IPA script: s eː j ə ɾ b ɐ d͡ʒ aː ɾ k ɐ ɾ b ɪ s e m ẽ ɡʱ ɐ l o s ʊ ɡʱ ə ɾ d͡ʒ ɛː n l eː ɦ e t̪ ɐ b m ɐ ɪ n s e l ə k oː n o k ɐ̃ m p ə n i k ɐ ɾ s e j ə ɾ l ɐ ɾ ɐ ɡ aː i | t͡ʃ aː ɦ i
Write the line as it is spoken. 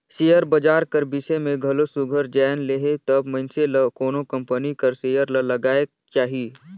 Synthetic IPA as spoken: s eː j ə ɾ b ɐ d͡ʒ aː ɾ k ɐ ɾ b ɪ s e m ẽ ɡʱ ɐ l o s ʊ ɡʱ ə ɾ d͡ʒ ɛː n l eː ɦ e t̪ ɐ b m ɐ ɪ n s e l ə k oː n o k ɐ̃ m p ə n i k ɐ ɾ s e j ə ɾ l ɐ l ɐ ɡ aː e | t͡ʃ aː ɦ i